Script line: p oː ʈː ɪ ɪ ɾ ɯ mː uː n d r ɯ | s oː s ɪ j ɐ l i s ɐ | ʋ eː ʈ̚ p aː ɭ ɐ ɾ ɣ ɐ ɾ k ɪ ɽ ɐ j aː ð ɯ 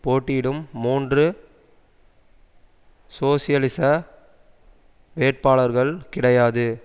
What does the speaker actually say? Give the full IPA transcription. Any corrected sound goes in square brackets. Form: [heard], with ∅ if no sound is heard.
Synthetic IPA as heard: p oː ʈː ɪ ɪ [ɽ] ɯ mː uː n d r ɯ | s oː s ɪ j ɐ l [ɪ] s ɐ | ʋ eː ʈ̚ p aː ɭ ɐ ɾ ɣ ɐ [ɭ] k ɪ ɽ ɐ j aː ð ɯ